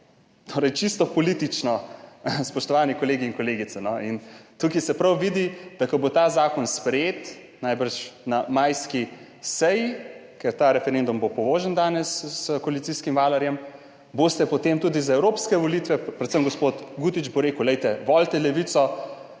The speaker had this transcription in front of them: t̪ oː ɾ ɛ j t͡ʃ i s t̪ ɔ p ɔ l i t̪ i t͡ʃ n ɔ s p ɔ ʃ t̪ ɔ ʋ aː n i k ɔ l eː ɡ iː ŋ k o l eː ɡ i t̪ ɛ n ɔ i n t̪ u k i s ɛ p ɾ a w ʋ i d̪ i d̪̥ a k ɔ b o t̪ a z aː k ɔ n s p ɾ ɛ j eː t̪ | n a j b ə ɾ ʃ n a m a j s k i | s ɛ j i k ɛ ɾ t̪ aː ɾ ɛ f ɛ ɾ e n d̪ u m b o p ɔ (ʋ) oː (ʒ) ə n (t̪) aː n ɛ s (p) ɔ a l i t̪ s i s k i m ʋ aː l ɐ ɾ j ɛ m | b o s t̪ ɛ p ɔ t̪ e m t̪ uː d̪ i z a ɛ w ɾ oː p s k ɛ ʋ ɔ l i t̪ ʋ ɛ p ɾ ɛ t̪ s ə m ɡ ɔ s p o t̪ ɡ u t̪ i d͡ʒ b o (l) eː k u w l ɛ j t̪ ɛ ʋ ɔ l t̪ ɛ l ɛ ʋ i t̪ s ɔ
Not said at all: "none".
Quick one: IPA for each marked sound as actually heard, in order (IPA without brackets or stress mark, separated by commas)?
ʋ, ʒ, d̪, k, ɾ